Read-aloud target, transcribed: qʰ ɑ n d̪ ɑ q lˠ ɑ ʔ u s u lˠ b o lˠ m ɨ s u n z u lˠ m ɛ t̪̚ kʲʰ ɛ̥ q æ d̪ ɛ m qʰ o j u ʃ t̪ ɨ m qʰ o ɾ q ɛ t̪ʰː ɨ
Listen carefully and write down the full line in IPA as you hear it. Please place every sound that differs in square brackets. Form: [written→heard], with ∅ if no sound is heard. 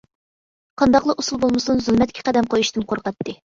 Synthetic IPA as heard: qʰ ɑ n d̪ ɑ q lˠ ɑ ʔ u s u lˠ b o lˠ m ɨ s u n z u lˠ m ɛ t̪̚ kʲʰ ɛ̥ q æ d̪ ɛ m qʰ o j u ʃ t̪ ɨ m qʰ o ɾ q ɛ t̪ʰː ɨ

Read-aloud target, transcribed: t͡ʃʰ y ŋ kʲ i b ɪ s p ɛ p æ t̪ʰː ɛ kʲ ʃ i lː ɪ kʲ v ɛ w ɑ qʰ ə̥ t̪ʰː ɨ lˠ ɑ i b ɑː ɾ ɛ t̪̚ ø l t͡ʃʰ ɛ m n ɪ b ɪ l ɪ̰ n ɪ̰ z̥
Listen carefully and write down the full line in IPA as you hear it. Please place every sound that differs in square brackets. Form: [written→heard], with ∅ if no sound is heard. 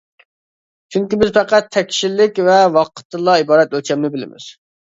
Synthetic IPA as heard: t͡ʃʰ y ŋ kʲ i b ɪ [s→z] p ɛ [p→q] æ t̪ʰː ɛ kʲ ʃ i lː ɪ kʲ v ɛ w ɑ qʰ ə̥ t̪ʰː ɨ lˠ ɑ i b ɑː ɾ ɛ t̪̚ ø l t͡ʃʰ ɛ m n ɪ b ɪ l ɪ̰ [n→m] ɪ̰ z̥

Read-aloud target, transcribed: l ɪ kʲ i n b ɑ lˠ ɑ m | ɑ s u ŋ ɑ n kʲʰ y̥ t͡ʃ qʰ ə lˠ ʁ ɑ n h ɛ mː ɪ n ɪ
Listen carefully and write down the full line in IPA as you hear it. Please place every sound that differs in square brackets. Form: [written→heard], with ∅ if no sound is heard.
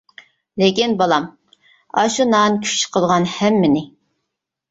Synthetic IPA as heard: l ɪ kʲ i n b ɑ lˠ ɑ m | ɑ [s→ʃ] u [ŋ→n] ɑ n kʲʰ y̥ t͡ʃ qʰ ə lˠ ʁ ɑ n h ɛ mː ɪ n ɪ

